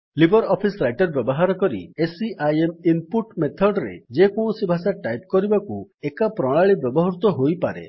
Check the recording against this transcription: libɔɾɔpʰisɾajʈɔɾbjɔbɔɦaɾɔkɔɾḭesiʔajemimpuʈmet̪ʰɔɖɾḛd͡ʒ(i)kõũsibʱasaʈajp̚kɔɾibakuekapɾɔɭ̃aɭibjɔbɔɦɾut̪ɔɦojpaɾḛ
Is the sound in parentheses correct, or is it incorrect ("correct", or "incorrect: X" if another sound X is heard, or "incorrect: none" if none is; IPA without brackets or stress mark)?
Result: incorrect: e